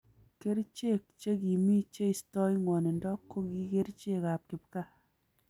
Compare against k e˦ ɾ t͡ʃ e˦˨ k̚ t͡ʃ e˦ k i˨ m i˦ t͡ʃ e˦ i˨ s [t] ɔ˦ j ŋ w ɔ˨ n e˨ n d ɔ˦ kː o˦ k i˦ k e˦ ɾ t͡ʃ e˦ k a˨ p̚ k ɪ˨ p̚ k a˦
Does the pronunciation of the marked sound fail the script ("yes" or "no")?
no